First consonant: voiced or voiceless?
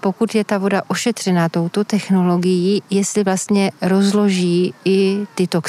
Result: voiceless